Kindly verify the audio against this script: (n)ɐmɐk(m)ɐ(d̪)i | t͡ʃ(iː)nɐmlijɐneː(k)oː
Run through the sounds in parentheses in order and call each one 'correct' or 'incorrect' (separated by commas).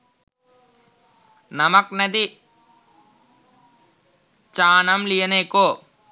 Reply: correct, incorrect, correct, incorrect, correct